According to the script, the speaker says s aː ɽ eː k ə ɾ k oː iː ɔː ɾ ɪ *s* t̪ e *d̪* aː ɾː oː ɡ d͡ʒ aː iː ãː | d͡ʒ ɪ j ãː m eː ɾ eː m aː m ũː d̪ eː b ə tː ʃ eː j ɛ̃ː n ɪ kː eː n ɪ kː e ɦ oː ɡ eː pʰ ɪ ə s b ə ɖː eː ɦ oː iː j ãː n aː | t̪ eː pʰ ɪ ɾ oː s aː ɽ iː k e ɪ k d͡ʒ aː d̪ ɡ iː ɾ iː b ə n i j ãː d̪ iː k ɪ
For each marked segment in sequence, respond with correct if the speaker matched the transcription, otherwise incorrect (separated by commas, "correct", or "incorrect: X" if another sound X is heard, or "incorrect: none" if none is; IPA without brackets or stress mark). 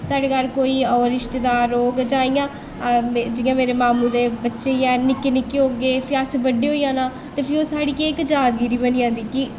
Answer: incorrect: ʃ, correct